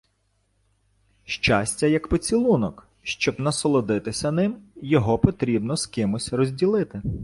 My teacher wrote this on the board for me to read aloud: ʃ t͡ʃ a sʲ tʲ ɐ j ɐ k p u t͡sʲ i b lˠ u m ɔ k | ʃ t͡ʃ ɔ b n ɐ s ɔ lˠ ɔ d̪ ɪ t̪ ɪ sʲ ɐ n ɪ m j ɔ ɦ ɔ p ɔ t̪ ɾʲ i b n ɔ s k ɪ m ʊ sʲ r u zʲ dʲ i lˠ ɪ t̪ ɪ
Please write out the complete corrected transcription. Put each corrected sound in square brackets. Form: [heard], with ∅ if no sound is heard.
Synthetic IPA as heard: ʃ t͡ʃ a sʲ tʲ ɐ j ɐ k p [ɔ] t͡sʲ i [∅] lˠ u [n] ɔ k | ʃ t͡ʃ ɔ b n ɐ s ɔ lˠ ɔ d̪ ɪ t̪ ɪ sʲ ɐ n ɪ m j ɔ ɦ ɔ p ɔ t̪ ɾʲ i b n ɔ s k ɪ m ʊ sʲ r [ɔ] zʲ dʲ i lˠ ɪ t̪ ɪ